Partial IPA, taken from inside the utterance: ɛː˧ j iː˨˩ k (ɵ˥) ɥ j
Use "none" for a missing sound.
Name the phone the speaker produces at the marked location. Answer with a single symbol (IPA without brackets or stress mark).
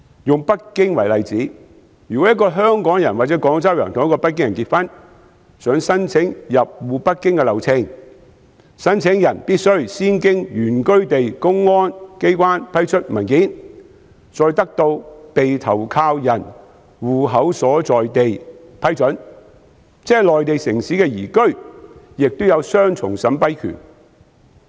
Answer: ɵ˥